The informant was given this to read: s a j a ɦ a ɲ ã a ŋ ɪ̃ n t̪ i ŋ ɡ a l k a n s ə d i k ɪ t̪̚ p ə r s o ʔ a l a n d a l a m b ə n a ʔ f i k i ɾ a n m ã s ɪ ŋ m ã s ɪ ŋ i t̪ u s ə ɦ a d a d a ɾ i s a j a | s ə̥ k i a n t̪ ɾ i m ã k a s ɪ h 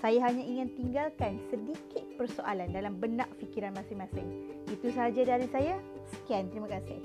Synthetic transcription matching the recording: s a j a ɦ a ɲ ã i ŋ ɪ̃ n t̪ i ŋ ɡ a l k a n s ə d i k ɪ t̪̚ p ə r s o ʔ a l a n d a l a m b ə n a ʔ f i k i ɾ a n m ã s ɪ ŋ m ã s ɪ ŋ i t̪ u s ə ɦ a d͡ʒ a d a ɾ i s a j a | s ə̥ k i a n t̪ ɾ i m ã k a s ɪ h